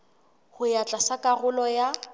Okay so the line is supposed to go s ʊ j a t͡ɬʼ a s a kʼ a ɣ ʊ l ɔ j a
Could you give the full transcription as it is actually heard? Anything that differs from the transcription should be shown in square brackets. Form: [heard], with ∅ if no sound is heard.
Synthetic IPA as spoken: [h] ʊ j a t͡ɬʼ a s a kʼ a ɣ ʊ l ɔ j a